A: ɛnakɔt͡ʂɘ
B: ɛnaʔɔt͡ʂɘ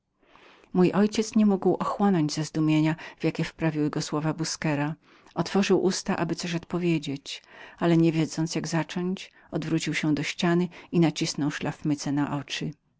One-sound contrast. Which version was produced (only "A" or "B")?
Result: B